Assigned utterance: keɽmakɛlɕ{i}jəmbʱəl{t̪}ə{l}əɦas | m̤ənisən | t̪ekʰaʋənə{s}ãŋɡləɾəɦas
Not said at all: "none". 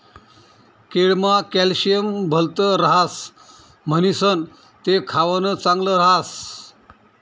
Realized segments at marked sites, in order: i, t̪, ɾ, t͡s

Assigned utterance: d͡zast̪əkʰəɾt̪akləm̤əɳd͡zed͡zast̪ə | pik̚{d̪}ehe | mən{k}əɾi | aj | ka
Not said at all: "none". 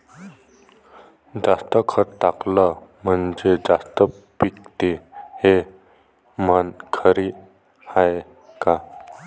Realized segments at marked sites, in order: t̪, kʰ

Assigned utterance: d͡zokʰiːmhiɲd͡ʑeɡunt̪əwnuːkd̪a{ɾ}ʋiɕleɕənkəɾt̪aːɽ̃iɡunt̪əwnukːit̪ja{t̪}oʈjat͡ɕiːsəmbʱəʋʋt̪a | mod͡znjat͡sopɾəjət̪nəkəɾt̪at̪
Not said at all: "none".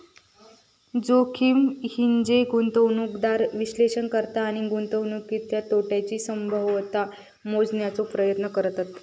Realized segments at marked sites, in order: ɾ, t̪

